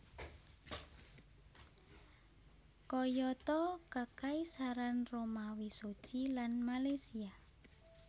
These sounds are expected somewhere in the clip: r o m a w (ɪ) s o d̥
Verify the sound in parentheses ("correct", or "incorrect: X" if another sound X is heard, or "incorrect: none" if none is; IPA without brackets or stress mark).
incorrect: i